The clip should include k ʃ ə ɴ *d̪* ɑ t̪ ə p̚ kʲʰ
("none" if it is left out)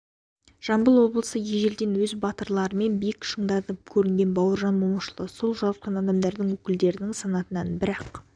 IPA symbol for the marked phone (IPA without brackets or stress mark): d̪